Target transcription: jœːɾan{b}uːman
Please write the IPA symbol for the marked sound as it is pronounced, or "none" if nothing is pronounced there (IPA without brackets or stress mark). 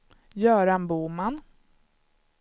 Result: b